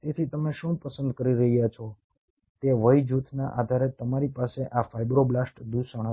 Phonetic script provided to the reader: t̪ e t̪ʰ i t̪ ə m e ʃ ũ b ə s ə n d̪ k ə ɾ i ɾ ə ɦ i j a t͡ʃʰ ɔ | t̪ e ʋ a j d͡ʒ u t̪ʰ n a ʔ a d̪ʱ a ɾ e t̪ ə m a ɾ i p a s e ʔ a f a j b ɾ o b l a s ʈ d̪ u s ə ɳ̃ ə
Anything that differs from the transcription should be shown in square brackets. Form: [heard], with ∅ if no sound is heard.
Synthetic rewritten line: t̪ e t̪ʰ i t̪ ə m e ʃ ũ [p] ə s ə n d̪ k ə ɾ i ɾ ə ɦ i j a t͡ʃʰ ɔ | t̪ e ʋ [ə] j d͡ʒ u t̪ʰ n a ʔ a d̪ʱ a ɾ e t̪ ə m a ɾ i p a s e ʔ a f a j b ɾ o b l a s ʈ d̪ u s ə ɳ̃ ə